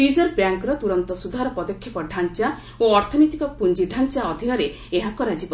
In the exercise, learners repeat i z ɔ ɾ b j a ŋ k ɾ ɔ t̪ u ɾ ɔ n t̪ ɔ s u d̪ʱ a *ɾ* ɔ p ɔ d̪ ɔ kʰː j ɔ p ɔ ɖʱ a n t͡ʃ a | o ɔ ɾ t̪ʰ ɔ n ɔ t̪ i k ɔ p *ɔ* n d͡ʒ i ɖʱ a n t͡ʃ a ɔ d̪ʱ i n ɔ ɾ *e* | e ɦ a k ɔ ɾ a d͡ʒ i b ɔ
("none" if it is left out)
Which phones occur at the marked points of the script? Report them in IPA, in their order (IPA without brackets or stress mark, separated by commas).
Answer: ɾ, u, e